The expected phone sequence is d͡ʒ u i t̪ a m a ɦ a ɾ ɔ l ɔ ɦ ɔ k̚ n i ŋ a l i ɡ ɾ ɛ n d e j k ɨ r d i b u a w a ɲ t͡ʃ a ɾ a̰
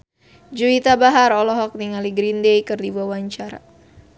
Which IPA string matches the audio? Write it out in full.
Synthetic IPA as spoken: d͡ʒ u i t̪ a b a ɦ a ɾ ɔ l ɔ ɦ ɔ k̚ n i ŋ a l i ɡ ɾ i n d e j k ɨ r d i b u a w a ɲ t͡ʃ a ɾ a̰

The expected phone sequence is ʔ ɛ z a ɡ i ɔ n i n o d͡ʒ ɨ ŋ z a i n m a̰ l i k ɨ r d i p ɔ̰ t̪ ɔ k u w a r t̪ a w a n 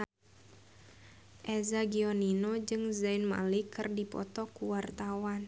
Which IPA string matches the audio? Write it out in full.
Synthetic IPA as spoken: ʔ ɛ z a ɡ i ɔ n i n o d͡ʒ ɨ ŋ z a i n m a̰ l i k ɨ r d i p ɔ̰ t̪ ɔ k u w a r t̪ a w a n

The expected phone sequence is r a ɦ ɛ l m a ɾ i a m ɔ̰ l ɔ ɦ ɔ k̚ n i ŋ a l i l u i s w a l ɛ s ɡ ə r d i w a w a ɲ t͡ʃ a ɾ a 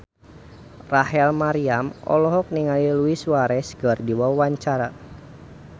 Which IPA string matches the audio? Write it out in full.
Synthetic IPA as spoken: r a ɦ ɛ l m a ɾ i a m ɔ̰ l ɔ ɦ ɔ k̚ n i ŋ a l i l u i s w a ɾ ɛ s ɡ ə r d i w a w a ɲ t͡ʃ a ɾ a

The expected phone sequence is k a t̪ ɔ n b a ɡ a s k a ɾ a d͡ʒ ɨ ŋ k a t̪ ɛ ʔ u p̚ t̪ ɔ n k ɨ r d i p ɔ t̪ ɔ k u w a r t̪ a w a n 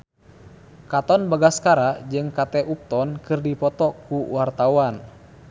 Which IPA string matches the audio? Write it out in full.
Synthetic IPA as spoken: k a t̪ ɔ n b a ɡ a s k a ɾ a d͡ʒ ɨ ŋ k a t̪ ɛ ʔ u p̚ t̪ ɔ n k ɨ r d i p ɔ t̪ ɔ k u w a r t̪ a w a n

